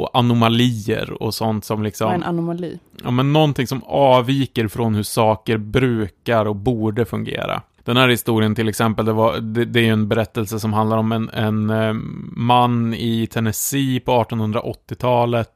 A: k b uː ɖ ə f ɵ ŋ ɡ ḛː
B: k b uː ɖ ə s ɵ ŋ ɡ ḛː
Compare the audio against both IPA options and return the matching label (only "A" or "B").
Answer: A